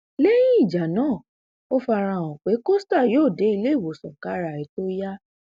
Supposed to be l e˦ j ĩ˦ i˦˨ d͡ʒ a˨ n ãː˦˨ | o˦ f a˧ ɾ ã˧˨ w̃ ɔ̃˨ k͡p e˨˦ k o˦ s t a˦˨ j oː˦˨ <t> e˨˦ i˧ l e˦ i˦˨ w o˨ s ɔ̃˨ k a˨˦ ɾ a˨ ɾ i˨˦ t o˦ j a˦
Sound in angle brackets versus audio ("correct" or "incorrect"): incorrect